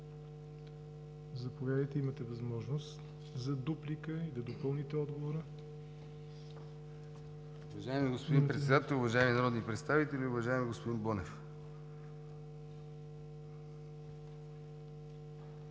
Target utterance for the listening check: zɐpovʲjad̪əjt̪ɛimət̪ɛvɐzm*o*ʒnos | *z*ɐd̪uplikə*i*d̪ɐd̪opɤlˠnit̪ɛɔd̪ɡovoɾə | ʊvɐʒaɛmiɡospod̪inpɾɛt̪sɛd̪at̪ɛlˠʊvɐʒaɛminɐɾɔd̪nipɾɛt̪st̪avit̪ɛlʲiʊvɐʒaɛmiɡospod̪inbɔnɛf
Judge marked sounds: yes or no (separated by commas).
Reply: no, yes, yes